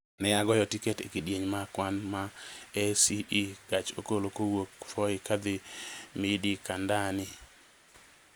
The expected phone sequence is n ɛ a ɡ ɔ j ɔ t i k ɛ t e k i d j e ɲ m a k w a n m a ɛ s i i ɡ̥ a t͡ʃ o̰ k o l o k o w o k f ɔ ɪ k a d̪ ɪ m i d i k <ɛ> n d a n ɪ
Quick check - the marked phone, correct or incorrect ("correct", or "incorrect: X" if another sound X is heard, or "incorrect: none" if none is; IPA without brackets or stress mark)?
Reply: incorrect: a